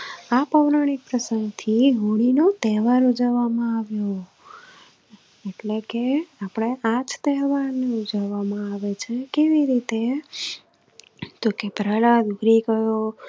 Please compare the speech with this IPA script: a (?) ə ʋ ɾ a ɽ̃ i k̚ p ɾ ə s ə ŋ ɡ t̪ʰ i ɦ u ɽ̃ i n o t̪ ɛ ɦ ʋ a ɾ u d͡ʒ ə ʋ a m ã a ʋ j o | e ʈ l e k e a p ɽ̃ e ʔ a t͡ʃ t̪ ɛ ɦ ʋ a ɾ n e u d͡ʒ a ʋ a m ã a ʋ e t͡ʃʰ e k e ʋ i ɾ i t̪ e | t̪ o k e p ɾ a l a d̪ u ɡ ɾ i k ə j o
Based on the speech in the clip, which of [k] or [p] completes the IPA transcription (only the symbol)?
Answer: p